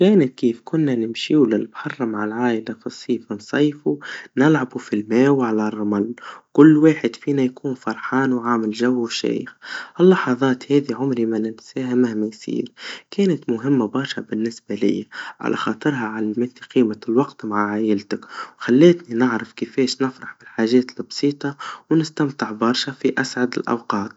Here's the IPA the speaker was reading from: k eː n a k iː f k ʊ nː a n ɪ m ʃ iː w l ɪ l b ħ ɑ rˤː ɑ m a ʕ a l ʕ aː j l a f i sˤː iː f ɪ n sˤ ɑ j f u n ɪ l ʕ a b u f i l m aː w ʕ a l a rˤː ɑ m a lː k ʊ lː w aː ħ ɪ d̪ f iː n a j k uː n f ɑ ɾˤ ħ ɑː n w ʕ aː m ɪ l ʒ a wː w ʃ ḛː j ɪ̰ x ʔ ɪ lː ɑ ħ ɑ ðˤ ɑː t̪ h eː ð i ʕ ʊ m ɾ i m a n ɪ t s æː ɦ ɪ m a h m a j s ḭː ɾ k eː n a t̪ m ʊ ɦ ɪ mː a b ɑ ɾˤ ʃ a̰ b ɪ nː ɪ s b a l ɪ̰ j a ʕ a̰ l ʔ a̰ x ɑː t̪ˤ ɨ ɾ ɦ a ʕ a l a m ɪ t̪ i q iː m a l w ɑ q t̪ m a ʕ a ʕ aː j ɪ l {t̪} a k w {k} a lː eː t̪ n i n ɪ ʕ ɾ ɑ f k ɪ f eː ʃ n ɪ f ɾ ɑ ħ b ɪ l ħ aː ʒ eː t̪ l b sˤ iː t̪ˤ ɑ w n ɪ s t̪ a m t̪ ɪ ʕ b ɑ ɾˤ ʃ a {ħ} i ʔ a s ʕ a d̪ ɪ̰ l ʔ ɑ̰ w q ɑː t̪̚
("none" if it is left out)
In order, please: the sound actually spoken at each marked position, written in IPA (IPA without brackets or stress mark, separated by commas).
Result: t̪, x, f